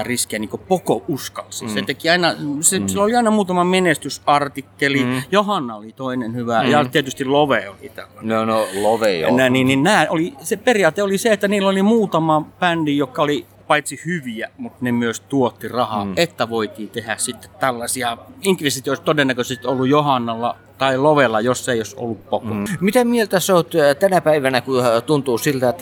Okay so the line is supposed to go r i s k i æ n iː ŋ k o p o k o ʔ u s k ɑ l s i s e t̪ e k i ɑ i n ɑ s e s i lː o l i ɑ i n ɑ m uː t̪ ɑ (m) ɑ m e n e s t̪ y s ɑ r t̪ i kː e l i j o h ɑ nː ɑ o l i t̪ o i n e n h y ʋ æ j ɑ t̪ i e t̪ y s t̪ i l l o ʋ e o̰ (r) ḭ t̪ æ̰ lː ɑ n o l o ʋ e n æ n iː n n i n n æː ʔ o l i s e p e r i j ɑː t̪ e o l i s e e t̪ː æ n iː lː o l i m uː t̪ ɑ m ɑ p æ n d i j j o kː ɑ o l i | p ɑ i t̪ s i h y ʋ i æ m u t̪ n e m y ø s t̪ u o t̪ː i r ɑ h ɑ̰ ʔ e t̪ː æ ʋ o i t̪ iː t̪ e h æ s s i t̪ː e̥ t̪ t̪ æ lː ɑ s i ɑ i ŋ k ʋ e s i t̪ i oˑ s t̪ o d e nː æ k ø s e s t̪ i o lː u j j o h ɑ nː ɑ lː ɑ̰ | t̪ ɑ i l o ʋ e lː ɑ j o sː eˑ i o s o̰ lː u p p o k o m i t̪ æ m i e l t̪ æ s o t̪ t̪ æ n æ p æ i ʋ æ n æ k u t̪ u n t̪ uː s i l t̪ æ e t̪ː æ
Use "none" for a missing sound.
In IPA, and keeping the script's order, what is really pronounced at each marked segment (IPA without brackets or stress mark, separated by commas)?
m, l